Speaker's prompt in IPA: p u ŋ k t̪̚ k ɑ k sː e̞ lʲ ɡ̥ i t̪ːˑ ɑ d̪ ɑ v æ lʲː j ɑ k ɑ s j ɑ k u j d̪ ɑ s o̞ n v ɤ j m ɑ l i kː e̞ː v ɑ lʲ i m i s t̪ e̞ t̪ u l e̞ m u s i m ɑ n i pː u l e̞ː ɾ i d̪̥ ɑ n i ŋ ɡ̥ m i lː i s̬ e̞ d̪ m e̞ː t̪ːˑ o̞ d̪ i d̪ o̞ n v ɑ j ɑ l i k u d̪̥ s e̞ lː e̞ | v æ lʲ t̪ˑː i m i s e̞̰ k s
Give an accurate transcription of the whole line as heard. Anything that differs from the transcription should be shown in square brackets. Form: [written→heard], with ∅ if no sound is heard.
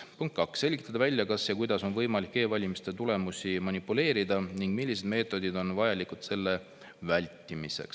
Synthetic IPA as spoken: p u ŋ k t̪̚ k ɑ k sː e̞ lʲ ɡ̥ i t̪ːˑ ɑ d̪ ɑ v æ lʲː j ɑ k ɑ s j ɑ k u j d̪ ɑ s o̞ n v ɤ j m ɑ l i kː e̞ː v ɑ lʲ i m i s t̪ e̞ t̪ u l e̞ m u s i m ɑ n i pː u l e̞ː ɾ i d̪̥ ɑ n i ŋ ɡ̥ m i lː i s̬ e̞ d̪ m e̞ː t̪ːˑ o̞ d̪ i d̪ o̞ n v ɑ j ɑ l i k u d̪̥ s e̞ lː e̞ | v æ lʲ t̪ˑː i m i s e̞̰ k s

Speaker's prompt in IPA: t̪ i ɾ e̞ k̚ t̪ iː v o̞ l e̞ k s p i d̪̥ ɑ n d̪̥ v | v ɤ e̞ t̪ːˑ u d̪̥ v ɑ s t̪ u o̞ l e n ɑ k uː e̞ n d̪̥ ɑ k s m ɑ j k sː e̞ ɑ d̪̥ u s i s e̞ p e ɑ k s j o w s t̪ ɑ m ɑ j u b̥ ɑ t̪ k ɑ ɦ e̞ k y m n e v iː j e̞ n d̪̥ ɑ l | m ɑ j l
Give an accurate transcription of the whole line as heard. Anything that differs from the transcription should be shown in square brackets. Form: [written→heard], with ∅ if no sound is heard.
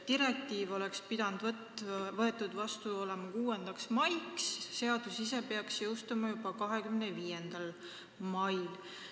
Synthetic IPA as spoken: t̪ i ɾ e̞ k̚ t̪ iː v o̞ l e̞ k s p i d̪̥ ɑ n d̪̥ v | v ɤ e̞ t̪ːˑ u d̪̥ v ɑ s t̪ u o̞ l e [n→m] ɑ k uː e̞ n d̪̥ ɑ k s m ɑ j k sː e̞ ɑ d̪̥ u s i s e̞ p e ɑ k s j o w s t̪ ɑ m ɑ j u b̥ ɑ [t̪→∅] k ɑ ɦ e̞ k y m n e v iː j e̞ n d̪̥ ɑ l | m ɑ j l

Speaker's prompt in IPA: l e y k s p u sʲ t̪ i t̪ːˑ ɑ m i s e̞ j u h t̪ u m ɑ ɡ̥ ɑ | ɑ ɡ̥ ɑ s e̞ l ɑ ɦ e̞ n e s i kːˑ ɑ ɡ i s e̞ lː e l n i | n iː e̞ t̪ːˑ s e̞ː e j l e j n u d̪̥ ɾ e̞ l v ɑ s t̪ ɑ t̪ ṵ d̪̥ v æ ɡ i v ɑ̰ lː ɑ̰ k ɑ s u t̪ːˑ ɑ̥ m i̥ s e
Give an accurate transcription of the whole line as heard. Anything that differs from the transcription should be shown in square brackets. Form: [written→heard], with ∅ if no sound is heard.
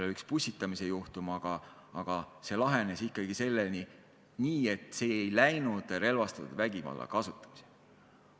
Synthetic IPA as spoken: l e y k s p u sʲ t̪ i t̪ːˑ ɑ m i s e̞ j u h t̪ u m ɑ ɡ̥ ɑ | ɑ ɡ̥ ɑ s e̞ l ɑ ɦ e̞ n e s i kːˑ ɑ ɡ i s e̞ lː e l n i | n iː e̞ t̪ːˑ s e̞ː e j l [e→æ] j n u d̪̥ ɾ e̞ l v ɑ s t̪ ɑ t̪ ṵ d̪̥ v æ ɡ i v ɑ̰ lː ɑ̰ k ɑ s u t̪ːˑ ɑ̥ m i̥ s e

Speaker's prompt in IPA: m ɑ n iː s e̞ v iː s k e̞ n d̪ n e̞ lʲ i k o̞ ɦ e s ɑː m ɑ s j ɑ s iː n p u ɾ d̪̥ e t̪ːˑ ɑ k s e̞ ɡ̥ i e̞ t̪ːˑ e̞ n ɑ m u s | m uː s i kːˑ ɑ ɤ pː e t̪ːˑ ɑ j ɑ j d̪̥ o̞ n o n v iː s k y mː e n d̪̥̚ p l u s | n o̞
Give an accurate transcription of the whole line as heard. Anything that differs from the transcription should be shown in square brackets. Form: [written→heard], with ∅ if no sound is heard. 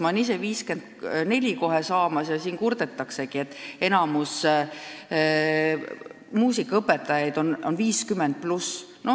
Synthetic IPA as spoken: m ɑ n [iː→i] s e̞ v iː s k e̞ n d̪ n e̞ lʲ i k o̞ ɦ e s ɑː m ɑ s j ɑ s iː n [p→k] u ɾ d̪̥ e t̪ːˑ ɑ k s e̞ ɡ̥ i e̞ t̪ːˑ e̞ n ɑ m u s | m uː s i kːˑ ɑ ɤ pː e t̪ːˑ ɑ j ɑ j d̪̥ o̞ n o n v iː s k y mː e n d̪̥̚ p l u s | n o̞

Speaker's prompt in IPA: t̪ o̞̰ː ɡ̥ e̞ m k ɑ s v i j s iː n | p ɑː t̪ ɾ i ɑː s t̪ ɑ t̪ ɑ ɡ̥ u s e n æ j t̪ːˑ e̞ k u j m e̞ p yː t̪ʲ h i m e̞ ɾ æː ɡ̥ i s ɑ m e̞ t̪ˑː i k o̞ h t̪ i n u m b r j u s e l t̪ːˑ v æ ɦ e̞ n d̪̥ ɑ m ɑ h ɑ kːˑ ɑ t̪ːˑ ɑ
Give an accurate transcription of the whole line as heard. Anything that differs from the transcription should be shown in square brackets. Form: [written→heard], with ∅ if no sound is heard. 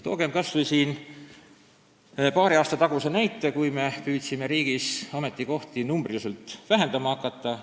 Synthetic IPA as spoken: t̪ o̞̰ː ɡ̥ e̞ m k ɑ s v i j s iː n | p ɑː [t̪→∅] ɾ i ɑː s t̪ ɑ t̪ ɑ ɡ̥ u s e n æ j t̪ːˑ e̞ k u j m e̞ p yː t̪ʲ [h→s] i m e̞ ɾ [æː→iː] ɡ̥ i s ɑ m e̞ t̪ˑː i k o̞ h t̪ i n u m b r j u s e l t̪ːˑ v æ ɦ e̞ n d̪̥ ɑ m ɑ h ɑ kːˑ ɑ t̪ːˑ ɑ

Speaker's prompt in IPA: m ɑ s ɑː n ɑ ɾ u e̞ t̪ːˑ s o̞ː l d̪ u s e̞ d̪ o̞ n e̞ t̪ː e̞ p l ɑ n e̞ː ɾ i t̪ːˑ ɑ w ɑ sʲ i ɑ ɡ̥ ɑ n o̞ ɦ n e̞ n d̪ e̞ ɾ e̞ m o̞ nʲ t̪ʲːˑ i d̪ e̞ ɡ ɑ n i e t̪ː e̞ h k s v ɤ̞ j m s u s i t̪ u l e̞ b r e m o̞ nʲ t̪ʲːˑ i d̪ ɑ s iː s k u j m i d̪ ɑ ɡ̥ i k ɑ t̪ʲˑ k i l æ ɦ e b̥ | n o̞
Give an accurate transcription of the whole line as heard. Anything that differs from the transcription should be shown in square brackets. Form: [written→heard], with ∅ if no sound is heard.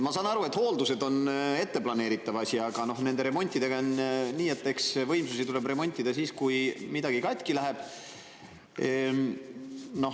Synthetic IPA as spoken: m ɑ s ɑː n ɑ ɾ u e̞ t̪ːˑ [s→h] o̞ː l d̪ u s e̞ d̪ o̞ n e̞ t̪ː e̞ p l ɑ n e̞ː ɾ i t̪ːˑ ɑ [w→v] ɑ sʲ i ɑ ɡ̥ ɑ n o̞ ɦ n e̞ n d̪ e̞ ɾ e̞ m o̞ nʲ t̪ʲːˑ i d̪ e̞ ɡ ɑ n [i→iː] e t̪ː e̞ [h→∅] k s v ɤ̞ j m s u s i t̪ u l e̞ b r e m o̞ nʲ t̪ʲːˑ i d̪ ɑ s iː s k u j m i d̪ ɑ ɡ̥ i k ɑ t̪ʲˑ k i l æ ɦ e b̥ | n o̞

